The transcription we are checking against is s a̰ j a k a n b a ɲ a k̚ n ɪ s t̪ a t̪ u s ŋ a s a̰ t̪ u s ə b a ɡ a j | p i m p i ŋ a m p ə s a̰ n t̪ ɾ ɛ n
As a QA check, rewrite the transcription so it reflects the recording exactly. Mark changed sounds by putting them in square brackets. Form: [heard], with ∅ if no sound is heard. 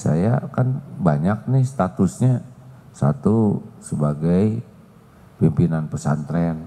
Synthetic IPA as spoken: s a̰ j a k a n b a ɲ a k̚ n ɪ s t̪ a t̪ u s [ɲ] a s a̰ t̪ u s ə b a ɡ a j | p i m p i [n] a [n] p ə s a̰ n t̪ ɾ ɛ n